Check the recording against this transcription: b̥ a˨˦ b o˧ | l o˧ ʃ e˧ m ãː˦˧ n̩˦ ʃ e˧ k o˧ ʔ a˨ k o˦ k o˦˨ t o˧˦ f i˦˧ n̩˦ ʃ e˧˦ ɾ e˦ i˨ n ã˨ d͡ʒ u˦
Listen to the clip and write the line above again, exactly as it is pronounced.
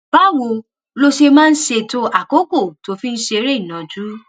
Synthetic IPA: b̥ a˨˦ w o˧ | l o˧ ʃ e˧ m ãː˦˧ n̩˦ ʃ e˧ t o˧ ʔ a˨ k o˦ k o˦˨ t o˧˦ f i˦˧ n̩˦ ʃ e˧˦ ɾ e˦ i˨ n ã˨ d͡ʒ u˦